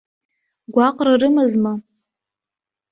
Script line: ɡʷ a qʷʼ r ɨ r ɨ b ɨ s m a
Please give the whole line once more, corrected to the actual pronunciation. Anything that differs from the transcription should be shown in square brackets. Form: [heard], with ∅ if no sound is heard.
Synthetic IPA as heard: ɡʷ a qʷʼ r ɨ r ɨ [m] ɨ [z] m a